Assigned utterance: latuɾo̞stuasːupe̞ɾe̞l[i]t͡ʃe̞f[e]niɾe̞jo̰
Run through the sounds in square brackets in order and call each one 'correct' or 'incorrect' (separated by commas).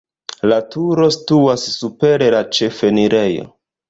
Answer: incorrect, correct